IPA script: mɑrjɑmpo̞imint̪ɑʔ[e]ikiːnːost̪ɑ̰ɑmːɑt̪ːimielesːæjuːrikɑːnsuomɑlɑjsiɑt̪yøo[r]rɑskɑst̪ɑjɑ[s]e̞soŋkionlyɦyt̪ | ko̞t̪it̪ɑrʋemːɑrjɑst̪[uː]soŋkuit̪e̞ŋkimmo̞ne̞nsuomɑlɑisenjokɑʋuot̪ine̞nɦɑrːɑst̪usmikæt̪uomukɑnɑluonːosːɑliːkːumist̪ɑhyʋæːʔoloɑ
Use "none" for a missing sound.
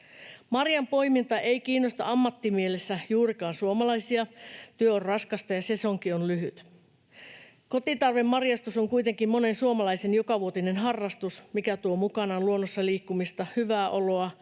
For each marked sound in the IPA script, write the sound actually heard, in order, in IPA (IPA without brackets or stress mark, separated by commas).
e, r, s, u